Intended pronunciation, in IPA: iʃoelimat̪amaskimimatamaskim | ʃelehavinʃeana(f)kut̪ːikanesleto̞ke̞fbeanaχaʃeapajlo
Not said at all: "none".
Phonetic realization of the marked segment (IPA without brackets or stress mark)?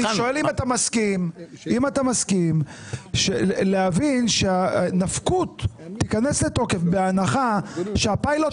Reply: f